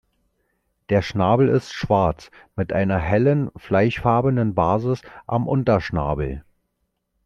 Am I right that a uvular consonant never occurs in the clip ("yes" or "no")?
yes